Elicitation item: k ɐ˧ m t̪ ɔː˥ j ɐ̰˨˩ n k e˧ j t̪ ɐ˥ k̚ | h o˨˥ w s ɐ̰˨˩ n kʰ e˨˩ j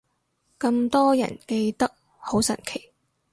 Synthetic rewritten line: k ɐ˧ m t̪ ɔː˥ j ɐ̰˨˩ n k e˧ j t̪ ɐ˥ k̚ | h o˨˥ w s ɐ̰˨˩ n kʰ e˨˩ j